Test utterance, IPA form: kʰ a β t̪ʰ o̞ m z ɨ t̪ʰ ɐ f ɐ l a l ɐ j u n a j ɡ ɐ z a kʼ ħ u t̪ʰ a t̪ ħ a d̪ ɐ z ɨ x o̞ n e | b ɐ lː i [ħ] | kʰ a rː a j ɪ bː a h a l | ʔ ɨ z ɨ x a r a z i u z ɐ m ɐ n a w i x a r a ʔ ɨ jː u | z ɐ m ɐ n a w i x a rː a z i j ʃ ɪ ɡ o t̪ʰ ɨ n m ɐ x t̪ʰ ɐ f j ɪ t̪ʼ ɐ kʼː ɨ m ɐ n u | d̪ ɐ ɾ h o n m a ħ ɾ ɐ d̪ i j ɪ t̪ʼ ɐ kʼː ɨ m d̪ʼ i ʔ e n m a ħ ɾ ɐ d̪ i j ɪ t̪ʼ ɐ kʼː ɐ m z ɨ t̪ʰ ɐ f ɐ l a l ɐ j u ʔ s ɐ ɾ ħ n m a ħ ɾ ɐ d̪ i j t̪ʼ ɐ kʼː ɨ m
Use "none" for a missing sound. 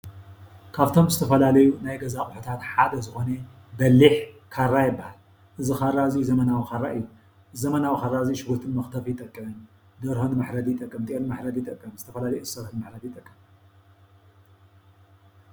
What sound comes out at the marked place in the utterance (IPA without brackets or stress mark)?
ħ